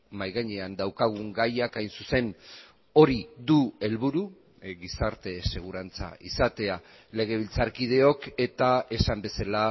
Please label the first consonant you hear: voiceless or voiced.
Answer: voiced